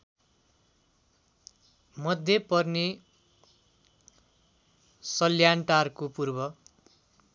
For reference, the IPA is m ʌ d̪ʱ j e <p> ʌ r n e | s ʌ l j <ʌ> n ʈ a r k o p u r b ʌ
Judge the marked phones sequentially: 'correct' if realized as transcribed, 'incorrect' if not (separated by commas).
correct, incorrect